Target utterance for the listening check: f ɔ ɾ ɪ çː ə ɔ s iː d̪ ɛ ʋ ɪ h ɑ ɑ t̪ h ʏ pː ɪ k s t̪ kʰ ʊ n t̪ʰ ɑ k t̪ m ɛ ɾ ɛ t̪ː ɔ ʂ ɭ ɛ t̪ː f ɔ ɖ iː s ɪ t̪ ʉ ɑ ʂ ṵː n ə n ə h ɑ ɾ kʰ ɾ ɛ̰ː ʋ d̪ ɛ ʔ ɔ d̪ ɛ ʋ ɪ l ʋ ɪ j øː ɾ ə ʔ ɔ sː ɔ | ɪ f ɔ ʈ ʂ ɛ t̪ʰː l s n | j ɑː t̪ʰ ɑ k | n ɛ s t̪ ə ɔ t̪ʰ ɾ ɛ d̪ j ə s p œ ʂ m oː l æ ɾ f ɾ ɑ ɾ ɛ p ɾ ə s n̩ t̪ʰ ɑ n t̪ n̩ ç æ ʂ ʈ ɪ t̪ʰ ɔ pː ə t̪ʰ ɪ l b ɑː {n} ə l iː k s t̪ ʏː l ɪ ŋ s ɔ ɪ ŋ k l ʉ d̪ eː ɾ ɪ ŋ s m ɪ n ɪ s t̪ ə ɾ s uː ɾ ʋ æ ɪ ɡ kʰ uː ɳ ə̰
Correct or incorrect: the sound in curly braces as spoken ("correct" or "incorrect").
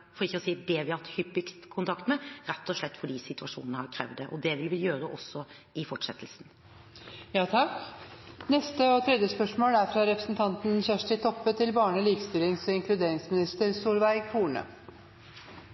incorrect